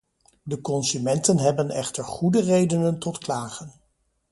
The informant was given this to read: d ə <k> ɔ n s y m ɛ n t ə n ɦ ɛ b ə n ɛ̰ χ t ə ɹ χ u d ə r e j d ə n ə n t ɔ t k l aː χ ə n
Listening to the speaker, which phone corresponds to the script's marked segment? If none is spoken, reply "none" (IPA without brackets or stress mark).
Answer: k